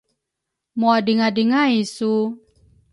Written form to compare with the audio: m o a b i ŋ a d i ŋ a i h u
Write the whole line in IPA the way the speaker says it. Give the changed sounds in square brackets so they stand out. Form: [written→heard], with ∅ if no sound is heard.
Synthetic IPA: m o a [b→d] i ŋ a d i ŋ a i [h→s] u